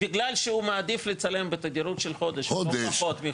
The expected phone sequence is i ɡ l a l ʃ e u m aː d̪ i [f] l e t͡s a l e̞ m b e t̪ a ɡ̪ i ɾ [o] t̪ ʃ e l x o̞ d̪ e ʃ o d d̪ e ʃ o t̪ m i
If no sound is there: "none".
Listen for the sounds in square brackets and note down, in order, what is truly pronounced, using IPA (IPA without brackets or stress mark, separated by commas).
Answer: f, u